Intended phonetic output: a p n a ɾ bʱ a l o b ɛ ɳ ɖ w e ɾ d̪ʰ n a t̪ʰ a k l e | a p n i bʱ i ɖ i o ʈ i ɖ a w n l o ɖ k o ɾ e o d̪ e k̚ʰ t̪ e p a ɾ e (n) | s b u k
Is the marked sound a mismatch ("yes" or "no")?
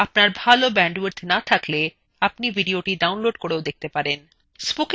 no